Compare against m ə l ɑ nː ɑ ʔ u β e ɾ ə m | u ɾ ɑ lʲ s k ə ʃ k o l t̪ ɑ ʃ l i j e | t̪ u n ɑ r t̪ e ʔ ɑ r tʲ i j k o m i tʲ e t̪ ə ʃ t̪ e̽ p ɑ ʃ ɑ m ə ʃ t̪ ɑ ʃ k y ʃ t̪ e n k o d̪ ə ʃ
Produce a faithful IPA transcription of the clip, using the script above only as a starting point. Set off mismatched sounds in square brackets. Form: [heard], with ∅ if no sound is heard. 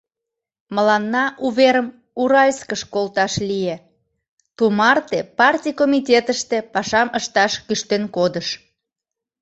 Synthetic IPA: m ə l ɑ nː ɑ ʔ u β e ɾ ə m | u ɾ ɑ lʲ s k ə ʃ k o l t̪ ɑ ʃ l i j e | t̪ u [m] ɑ r t̪ e [p] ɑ r tʲ i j k o m i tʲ e t̪ ə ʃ t̪ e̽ p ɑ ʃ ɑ m ə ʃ t̪ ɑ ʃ k y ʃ t̪ e n k o d̪ ə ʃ